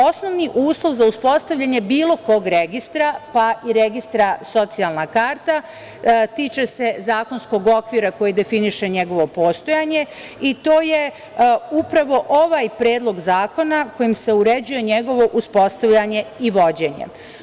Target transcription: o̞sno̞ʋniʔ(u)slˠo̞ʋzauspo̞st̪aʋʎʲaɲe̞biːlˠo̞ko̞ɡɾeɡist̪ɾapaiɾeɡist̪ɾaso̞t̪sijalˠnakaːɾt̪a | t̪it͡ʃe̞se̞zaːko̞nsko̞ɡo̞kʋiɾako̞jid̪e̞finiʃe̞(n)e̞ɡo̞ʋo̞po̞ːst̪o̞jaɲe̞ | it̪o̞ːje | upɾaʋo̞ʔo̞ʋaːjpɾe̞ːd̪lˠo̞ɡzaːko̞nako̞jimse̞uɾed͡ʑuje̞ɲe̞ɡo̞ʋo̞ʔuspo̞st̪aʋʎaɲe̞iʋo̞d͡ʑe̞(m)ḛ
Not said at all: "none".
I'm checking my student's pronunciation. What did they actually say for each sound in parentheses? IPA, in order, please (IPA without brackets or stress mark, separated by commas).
uː, ɲ, ɲ